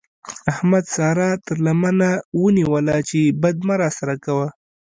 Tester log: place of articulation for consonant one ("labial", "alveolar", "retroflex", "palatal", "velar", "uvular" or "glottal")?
glottal